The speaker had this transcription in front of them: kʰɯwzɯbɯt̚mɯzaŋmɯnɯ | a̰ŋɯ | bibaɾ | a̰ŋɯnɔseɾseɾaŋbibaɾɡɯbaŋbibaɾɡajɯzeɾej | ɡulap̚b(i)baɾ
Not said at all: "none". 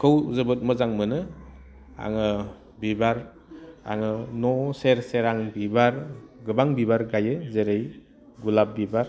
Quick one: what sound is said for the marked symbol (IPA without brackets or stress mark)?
i